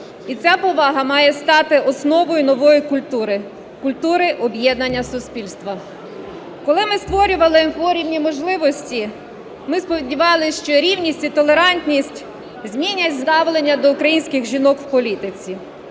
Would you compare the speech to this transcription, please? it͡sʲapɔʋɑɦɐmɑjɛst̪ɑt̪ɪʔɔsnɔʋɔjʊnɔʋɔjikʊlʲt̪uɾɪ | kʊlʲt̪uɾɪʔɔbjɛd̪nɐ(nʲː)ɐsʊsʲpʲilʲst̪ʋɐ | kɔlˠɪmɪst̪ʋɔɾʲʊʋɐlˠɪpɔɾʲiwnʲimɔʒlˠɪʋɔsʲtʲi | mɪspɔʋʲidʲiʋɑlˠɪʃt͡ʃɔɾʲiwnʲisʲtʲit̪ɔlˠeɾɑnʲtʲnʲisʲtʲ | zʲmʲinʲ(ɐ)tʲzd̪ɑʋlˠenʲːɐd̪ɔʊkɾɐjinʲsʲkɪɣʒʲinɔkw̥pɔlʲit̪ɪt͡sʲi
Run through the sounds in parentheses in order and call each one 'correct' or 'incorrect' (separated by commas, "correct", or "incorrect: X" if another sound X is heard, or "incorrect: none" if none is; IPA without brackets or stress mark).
correct, correct